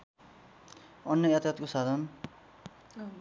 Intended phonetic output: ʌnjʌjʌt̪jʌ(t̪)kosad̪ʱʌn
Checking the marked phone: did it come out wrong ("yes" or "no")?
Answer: no